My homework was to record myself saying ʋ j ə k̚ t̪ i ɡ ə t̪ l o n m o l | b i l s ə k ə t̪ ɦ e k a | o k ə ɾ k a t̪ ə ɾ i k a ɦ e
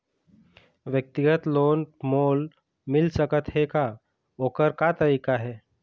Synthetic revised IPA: ʋ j ə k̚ t̪ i ɡ ə t̪ l o n m o l | m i l s ə k ə t̪ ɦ e k a | o k ə ɾ k a t̪ ə ɾ i k a ɦ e